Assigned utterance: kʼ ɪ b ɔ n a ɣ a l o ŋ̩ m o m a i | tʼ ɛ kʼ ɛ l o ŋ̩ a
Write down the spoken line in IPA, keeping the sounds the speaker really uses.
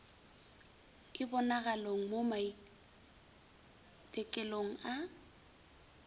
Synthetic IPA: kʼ ɪ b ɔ n a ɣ a l o ŋ̩ m o m a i | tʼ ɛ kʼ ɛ l o ŋ̩ a